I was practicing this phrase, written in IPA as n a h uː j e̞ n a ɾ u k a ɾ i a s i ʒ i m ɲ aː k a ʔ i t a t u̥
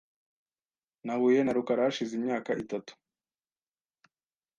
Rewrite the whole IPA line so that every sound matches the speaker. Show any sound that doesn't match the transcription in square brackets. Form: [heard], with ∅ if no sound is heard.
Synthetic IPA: n a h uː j e̞ n a ɾ u k a ɾ [a] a [ʃ] i [z] i m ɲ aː k a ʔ i t a t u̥